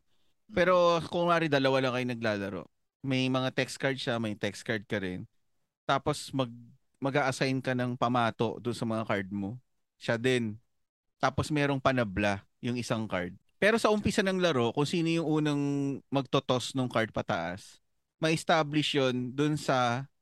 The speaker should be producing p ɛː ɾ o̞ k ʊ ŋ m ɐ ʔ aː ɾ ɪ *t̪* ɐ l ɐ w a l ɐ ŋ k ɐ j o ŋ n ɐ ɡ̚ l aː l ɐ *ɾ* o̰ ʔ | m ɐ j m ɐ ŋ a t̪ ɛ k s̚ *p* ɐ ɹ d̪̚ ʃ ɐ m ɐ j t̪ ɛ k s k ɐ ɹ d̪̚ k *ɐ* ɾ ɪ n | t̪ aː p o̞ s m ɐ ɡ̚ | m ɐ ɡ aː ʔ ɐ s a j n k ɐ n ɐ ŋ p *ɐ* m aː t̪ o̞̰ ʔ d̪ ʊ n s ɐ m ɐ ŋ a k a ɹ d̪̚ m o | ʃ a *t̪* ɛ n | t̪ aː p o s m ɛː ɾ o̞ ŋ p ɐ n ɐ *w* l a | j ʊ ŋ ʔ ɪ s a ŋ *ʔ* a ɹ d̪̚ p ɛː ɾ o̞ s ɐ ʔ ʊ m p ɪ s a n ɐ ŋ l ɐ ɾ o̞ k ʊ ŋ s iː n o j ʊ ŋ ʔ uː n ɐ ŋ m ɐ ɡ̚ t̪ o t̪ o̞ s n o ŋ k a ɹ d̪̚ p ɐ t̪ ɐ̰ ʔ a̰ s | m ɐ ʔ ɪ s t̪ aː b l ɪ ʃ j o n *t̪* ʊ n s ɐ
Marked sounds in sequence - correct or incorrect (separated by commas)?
incorrect, correct, incorrect, correct, correct, incorrect, incorrect, incorrect, incorrect